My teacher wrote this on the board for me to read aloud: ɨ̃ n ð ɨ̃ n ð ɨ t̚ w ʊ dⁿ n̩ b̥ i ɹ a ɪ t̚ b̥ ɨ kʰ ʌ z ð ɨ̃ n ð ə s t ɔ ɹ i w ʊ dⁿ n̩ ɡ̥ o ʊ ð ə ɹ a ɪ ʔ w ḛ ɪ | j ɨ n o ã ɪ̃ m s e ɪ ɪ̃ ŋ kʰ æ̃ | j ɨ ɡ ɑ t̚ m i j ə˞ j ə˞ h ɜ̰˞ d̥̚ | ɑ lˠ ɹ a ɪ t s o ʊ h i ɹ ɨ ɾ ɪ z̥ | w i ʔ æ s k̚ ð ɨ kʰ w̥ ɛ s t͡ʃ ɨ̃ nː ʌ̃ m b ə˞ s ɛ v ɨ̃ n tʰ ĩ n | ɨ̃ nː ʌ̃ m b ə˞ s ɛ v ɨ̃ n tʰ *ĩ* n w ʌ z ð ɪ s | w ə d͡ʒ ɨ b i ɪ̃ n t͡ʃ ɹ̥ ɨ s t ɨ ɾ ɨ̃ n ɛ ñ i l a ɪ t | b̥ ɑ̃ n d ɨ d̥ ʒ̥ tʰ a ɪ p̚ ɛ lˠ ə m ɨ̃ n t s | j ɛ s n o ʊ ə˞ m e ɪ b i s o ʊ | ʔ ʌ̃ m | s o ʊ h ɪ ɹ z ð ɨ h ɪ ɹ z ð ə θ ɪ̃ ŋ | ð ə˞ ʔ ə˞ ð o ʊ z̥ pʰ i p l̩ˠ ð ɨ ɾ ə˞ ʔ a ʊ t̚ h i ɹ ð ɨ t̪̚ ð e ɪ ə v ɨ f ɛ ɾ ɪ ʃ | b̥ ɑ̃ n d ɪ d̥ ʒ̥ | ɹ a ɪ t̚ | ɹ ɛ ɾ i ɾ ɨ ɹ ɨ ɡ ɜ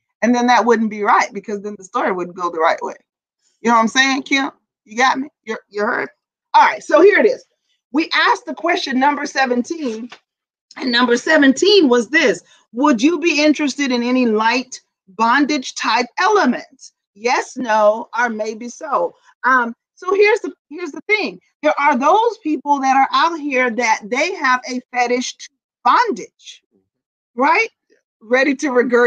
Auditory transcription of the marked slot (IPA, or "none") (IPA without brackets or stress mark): ĩ